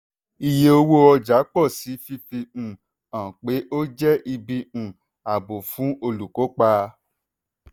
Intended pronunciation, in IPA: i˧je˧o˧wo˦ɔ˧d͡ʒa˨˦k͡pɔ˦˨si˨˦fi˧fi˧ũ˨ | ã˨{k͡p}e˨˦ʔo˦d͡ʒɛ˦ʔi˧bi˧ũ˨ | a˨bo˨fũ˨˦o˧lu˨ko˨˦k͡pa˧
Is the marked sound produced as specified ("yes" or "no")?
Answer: yes